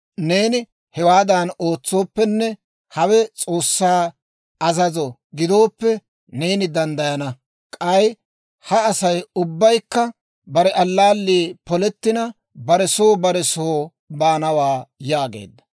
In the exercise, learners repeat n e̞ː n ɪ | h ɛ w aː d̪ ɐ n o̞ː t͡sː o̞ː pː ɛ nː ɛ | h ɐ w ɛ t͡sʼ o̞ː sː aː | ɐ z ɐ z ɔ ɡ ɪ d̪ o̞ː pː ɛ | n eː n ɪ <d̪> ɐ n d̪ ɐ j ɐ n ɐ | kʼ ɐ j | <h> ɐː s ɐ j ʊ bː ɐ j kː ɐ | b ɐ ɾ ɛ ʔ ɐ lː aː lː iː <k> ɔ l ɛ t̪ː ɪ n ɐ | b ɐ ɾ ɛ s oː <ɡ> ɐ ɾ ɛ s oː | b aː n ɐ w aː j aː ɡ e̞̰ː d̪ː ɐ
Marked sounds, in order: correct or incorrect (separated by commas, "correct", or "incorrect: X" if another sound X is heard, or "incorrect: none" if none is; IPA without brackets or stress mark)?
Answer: correct, correct, incorrect: p, incorrect: b